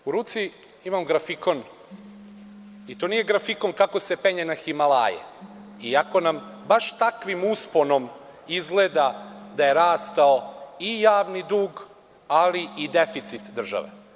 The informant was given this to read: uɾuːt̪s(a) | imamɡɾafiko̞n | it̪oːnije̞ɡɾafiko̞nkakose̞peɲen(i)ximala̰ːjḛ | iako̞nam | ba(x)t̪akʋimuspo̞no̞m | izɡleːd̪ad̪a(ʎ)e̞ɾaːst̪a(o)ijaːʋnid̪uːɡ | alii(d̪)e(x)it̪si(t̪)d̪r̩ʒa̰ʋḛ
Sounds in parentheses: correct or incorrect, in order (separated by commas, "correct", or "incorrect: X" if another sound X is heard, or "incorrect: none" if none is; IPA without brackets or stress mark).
incorrect: i, incorrect: a, incorrect: ʃ, incorrect: j, correct, correct, incorrect: f, correct